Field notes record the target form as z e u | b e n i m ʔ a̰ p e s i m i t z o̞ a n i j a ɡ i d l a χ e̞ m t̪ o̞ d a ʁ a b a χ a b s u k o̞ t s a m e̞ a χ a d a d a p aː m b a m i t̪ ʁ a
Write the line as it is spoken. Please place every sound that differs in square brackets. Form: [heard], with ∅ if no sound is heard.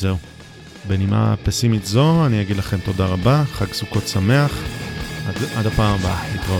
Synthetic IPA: z e u | b e n i m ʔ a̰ p e s i m i t z o̞ a n i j a ɡ i d l a χ e̞ m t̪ o̞ d a ʁ a b a χ a [ɡ] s u k o̞ t s a m e̞ a χ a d a d a p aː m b a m i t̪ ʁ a